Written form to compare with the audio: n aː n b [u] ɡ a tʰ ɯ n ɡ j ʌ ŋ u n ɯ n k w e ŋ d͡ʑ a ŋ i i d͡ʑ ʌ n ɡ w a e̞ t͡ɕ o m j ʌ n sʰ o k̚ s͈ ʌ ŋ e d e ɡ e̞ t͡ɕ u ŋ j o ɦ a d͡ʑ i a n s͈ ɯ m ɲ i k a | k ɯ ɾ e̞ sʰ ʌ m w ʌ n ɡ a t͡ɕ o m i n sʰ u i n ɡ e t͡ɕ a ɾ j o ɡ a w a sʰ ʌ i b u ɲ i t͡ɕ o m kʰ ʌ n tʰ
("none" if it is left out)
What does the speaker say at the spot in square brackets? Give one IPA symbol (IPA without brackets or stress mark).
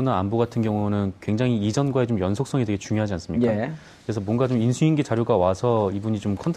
o